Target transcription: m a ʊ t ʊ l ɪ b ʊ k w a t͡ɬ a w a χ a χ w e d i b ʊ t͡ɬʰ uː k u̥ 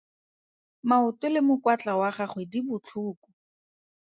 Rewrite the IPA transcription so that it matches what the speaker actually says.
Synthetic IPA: m a ʊ t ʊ l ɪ m ʊ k w a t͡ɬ a w a χ a χ w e d i b ʊ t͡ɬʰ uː k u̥

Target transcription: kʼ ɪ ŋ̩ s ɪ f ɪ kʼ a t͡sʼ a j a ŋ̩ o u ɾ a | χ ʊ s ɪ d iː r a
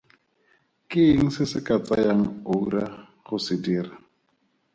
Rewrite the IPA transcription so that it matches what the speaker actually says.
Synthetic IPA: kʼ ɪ ŋ̩ s ɪ s ɪ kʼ a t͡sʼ a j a ŋ̩ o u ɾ a | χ ʊ s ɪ d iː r a

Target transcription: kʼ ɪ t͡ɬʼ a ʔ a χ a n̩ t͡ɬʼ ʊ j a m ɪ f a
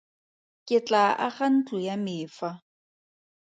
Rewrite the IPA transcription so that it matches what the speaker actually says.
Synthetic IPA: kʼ ɪ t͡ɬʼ a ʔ a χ a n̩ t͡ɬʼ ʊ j a m ɪː f a

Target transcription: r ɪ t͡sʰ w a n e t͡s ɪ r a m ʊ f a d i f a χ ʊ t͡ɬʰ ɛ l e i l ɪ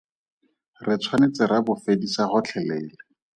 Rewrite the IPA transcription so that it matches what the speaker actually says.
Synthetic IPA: r ɪ t͡sʰ w a n e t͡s ɪ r a b ʊ f e d i s a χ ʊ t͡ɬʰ ɛ l e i l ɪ

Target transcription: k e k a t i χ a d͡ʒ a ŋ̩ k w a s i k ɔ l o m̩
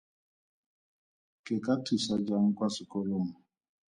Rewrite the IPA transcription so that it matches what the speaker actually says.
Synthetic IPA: k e k a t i s a d͡ʒ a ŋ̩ k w a s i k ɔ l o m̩

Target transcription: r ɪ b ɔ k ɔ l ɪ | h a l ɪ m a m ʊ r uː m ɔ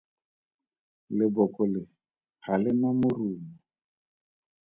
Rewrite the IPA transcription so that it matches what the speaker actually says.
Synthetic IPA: l ɪ b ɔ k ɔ l ɪ | h a l ɪ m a m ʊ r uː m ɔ

